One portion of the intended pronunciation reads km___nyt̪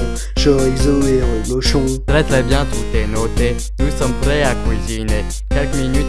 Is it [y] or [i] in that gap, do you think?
i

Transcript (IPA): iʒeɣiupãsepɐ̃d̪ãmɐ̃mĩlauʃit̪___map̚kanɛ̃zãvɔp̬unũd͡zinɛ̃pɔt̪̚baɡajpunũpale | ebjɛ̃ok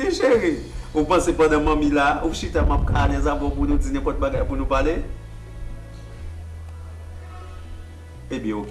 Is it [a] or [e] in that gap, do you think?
a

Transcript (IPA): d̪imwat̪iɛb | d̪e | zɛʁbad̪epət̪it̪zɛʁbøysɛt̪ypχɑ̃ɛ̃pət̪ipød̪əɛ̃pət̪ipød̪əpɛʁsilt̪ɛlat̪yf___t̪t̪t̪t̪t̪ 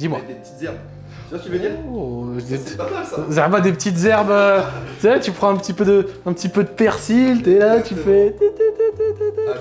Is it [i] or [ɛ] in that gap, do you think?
ɛ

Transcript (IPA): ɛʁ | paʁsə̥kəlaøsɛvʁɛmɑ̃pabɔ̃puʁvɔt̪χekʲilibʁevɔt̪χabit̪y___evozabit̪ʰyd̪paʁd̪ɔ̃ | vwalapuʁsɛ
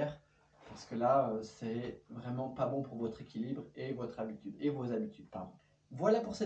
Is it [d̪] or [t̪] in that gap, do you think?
d̪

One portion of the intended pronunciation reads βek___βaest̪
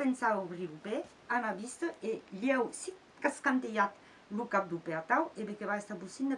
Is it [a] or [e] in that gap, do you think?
e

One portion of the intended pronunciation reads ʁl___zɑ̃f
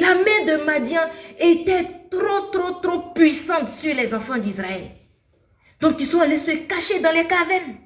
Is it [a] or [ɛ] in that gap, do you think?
ɛ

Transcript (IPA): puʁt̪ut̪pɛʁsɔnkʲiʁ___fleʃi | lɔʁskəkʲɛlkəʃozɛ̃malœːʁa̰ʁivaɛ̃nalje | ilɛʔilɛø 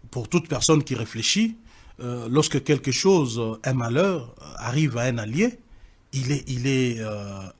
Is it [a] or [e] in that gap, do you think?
e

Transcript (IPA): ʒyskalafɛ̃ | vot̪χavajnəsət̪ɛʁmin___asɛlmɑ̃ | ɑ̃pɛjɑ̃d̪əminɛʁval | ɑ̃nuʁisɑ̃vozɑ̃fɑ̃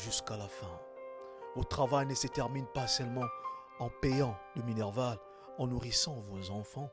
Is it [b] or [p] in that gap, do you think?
p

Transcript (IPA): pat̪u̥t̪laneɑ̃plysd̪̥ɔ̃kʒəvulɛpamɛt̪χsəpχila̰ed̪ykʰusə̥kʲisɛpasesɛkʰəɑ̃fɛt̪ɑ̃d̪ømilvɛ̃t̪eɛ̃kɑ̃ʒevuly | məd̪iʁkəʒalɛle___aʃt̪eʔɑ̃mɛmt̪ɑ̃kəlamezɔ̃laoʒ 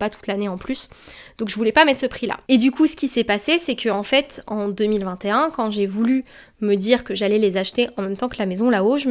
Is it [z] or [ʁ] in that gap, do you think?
z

